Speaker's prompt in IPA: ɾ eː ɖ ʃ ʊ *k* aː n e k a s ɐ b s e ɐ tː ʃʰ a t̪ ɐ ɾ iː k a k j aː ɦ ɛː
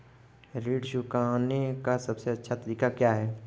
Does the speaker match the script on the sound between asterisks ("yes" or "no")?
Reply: yes